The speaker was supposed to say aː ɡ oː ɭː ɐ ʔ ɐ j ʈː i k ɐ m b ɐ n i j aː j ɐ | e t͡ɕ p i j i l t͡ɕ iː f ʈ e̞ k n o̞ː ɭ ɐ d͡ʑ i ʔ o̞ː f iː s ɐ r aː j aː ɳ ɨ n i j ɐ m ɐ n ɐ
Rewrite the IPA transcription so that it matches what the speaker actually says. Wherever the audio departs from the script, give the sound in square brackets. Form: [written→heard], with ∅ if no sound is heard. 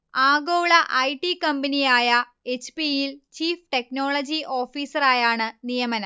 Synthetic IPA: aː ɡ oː [ɭː→ɭ] ɐ ʔ ɐ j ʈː i k ɐ m b ɐ n i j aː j ɐ | e t͡ɕ p i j i l t͡ɕ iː f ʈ e̞ k n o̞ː ɭ ɐ d͡ʑ i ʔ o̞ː f iː s ɐ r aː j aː ɳ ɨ n i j ɐ m ɐ n ɐ